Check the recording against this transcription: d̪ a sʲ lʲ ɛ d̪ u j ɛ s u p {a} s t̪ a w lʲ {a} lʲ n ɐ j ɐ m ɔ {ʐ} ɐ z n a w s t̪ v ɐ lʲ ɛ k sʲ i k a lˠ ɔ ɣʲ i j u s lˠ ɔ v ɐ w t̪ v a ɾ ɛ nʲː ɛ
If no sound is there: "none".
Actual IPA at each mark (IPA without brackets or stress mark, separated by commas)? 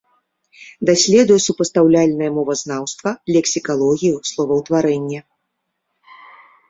ɐ, a, v